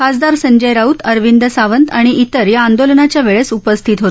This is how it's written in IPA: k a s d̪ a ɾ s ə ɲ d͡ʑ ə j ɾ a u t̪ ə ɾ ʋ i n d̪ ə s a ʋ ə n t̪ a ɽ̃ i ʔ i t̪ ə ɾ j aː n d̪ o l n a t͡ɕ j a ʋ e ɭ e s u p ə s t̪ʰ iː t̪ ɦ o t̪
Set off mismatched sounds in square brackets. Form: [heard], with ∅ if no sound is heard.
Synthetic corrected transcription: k a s d̪ a ɾ s ə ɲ d͡ʑ ə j ɾ a u t̪ ə ɾ ʋ i n d̪ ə s a ʋ ə n t̪ a ɽ̃ i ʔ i t̪ ə ɾ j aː n d̪ o l n a t͡ɕ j a ʋ e ɭ e s u p ə s t̪ʰ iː t̪ ɦ o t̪